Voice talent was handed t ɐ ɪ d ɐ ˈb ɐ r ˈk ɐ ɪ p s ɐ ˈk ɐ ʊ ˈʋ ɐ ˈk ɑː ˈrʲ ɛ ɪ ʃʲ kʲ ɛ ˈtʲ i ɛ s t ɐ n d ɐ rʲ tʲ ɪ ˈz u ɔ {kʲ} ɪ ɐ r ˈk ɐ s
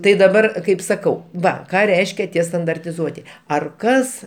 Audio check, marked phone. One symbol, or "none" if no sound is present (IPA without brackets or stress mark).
tʲ